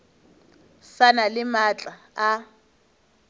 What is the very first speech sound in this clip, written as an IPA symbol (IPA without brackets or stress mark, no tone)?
s